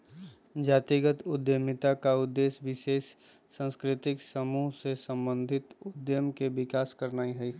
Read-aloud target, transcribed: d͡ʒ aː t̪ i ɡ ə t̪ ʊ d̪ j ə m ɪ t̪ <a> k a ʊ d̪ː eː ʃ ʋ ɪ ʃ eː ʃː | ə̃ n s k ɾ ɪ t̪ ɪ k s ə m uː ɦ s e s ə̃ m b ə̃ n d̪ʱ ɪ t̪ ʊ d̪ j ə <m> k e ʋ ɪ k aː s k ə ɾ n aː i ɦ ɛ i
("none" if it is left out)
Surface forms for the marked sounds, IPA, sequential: a, m

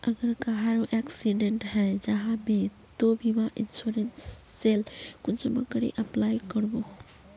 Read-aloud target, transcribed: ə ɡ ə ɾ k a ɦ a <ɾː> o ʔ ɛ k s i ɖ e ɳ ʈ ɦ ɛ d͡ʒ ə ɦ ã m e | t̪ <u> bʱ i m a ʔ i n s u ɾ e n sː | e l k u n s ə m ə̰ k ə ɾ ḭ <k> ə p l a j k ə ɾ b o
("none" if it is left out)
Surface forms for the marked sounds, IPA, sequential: ɾ, o, ʔ

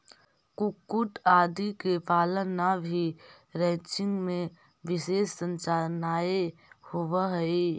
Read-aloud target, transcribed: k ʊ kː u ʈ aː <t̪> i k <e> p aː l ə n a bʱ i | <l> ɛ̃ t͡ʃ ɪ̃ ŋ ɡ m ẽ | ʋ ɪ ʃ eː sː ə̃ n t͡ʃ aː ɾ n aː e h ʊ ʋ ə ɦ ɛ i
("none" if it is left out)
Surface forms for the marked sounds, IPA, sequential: d̪, e, ɾ

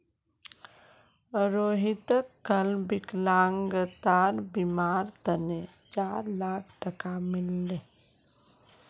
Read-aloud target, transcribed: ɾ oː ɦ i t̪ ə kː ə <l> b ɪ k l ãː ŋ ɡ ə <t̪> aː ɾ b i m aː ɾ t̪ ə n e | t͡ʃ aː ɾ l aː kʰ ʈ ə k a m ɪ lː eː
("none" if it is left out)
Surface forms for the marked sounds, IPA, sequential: l, t̪

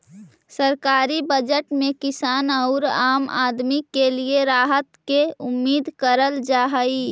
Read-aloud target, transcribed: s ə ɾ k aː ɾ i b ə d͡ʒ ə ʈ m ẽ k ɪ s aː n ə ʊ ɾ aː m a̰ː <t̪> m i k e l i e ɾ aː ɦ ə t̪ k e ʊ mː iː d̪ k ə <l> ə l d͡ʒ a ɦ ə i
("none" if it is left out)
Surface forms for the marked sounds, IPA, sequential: d̪, ɾ

